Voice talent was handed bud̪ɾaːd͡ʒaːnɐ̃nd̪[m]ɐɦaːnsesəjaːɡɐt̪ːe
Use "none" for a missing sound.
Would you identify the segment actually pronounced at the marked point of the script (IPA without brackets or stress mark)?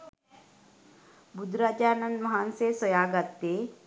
m